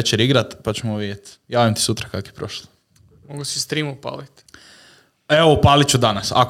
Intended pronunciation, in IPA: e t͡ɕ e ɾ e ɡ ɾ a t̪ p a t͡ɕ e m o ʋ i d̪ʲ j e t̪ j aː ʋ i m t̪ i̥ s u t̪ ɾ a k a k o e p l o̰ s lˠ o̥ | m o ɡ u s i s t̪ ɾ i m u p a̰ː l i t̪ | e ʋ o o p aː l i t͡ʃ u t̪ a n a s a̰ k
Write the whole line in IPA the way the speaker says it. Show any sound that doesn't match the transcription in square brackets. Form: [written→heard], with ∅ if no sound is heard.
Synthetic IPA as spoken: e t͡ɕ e ɾ [e→i] ɡ ɾ a t̪ p a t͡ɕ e m o ʋ i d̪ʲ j e t̪ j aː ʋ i m t̪ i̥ s u t̪ ɾ a k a k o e p [l→ɾ] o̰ [s→ʃ] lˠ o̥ | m o ɡ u s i s t̪ ɾ i m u p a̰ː l i t̪ | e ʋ o [o→u] p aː l i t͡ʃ u [t̪→d̪] a n a s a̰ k